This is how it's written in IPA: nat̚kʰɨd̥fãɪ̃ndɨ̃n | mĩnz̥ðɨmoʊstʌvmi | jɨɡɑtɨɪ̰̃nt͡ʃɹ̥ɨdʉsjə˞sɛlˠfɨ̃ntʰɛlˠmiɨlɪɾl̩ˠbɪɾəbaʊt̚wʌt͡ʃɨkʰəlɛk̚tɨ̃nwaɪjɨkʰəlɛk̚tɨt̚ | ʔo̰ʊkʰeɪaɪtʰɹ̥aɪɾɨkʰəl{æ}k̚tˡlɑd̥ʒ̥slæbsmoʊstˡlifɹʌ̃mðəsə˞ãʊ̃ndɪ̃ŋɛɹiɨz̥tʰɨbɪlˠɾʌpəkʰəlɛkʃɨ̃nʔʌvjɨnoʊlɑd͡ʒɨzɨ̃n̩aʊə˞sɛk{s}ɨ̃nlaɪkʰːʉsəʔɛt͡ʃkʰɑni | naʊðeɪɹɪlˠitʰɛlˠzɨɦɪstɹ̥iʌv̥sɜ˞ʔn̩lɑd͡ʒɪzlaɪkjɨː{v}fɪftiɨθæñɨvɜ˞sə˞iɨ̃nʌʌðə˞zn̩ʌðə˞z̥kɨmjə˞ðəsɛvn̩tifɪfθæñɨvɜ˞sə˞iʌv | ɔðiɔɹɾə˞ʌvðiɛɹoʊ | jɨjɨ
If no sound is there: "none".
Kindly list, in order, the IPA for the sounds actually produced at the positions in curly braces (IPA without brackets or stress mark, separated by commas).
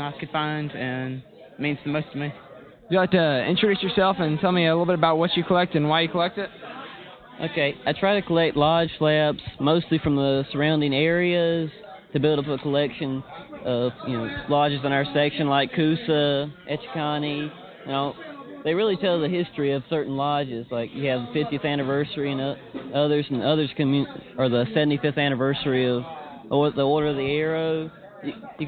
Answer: ɛ, ʃ, v